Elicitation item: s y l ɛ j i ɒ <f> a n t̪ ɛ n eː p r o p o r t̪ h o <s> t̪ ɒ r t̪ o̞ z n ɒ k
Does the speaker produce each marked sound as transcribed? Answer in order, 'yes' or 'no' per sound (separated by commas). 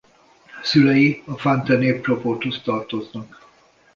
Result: yes, yes